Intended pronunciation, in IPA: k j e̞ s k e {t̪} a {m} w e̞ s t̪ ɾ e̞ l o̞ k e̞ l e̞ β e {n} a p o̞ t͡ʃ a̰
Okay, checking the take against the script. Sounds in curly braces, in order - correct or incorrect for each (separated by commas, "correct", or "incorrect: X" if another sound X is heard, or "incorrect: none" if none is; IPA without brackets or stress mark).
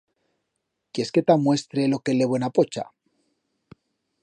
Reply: correct, correct, correct